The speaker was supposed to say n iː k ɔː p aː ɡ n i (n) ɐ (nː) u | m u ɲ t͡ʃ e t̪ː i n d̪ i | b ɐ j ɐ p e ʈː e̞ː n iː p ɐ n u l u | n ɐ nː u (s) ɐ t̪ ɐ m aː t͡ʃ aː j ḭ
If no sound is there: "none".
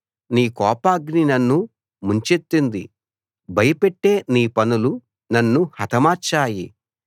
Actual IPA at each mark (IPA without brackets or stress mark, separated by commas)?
n, nː, h